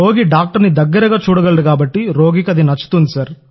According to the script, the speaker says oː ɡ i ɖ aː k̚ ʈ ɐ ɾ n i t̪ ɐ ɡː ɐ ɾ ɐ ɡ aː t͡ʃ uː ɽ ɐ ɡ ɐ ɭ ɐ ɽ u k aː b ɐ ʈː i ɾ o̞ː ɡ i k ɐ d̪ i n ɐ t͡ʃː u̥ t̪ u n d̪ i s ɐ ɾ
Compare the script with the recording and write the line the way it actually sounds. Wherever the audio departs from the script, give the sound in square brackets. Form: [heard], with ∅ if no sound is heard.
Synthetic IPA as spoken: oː ɡ i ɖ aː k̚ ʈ ɐ ɾ n i [d̪] ɐ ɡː ɐ ɾ ɐ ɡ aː t͡ʃ uː ɽ ɐ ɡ ɐ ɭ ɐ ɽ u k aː b ɐ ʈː i ɾ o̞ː ɡ i k ɐ d̪ i n ɐ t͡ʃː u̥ t̪ u n d̪ i s ɐ ɾ